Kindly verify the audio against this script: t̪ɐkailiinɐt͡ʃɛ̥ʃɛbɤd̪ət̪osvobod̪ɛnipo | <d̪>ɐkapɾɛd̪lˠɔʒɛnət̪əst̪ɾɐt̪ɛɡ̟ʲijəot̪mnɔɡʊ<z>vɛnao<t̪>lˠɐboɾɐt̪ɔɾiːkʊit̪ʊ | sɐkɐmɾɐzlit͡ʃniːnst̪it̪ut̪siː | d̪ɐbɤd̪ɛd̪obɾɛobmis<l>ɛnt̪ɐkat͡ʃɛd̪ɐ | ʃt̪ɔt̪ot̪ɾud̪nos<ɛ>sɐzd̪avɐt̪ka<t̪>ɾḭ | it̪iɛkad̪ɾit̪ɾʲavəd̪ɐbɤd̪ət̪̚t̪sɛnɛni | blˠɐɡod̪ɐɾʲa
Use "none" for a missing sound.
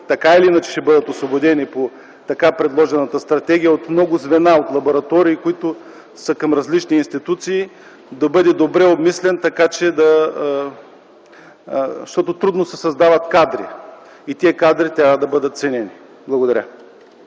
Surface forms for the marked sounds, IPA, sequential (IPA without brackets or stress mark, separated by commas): t̪, z, t̪, l, ɛ, d̪